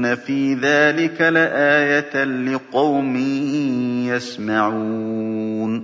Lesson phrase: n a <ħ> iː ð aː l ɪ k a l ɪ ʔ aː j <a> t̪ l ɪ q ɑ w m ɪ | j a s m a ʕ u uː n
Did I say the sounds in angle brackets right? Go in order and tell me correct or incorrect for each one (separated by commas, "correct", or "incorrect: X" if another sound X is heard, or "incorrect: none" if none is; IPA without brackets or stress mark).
incorrect: f, correct